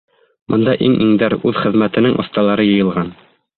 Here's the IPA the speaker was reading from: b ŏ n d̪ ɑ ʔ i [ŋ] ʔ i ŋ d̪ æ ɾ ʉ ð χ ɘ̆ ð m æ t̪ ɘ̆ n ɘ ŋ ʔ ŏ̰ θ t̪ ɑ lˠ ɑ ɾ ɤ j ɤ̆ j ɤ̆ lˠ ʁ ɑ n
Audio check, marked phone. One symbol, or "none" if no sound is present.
ŋ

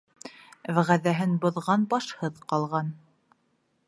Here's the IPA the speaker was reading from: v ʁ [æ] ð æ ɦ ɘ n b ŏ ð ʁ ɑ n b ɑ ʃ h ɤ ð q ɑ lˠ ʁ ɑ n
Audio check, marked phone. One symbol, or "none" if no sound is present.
æ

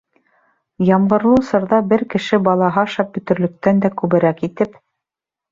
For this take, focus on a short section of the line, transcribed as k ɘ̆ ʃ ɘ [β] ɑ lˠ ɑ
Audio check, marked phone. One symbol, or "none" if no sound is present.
b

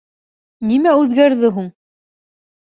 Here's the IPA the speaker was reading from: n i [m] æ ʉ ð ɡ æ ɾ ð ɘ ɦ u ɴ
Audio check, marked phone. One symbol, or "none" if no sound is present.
m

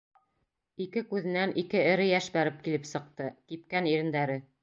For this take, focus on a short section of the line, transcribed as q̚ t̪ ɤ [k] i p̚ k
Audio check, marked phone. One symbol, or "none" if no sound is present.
k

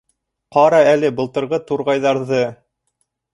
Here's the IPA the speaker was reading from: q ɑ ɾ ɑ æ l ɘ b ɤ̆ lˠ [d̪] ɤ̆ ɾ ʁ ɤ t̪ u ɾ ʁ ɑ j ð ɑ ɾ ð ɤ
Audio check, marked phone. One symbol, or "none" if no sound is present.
t̪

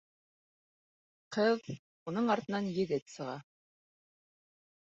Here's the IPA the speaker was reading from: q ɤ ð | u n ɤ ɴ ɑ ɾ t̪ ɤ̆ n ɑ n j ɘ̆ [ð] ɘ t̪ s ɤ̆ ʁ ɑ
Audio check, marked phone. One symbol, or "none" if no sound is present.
ð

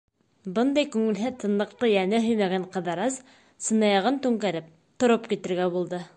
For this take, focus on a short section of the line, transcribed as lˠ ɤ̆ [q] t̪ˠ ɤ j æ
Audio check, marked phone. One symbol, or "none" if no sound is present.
q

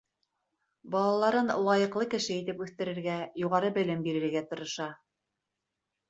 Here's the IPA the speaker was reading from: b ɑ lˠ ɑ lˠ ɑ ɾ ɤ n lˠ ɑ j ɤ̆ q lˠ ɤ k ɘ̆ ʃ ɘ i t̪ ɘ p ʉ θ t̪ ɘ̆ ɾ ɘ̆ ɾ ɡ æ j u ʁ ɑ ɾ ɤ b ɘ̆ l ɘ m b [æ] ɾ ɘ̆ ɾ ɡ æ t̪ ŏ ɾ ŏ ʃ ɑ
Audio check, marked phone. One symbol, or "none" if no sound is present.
i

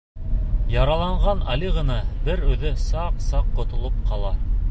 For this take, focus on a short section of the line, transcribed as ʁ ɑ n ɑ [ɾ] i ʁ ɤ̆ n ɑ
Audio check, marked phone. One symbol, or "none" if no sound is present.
l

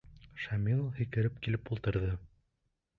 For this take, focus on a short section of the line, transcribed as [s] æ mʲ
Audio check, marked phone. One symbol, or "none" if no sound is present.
ʃ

